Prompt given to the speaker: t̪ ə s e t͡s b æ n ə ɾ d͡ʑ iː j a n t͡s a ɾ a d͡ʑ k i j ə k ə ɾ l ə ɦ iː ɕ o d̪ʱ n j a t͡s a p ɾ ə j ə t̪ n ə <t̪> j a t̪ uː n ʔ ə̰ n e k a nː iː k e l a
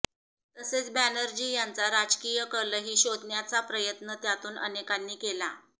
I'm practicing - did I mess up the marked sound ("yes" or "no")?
no